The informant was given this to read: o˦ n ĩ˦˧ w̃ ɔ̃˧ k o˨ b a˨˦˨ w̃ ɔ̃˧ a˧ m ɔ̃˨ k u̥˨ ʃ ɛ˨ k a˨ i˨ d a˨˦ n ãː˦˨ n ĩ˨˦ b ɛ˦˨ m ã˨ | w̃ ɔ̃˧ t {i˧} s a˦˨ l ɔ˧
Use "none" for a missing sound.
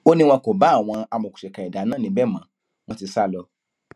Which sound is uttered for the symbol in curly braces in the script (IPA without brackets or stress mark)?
i˧